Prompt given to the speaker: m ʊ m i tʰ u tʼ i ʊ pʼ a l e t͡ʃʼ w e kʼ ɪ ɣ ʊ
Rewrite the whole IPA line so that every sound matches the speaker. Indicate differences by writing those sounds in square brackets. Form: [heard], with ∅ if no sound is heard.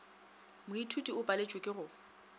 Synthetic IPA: m ʊ [∅] i tʰ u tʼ i ʊ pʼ a l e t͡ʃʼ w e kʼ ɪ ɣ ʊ